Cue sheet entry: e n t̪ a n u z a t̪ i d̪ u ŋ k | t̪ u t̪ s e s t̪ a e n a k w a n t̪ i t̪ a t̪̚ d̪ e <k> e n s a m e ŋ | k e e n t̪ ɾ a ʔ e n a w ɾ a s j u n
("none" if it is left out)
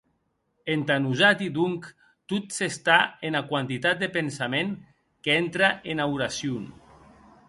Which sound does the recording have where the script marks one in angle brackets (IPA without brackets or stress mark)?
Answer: p